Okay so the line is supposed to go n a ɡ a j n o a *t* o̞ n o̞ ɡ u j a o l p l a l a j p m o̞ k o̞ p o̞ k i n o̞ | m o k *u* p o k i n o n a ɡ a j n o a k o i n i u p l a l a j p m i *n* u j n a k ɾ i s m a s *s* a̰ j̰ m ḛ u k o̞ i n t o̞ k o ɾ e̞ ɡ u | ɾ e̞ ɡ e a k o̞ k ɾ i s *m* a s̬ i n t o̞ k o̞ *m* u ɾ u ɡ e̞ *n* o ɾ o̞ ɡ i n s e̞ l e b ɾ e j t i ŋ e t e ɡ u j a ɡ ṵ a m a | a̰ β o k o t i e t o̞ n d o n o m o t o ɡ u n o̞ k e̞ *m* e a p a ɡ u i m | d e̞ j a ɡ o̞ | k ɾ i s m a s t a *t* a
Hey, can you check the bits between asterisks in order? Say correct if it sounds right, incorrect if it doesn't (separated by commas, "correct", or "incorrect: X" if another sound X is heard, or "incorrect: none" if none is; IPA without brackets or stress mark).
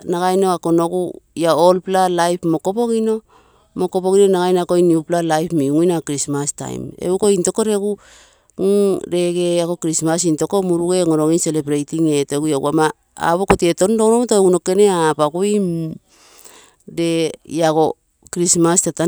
incorrect: k, incorrect: o, incorrect: ŋ, incorrect: t, correct, correct, incorrect: ŋ, incorrect: n, correct